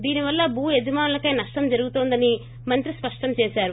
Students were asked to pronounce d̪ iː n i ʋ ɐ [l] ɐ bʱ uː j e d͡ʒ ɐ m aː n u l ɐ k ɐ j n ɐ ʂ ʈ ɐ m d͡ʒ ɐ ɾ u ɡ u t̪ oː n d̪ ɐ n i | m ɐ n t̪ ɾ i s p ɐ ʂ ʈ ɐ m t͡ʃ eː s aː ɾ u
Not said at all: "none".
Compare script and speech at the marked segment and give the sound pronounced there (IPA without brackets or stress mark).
lː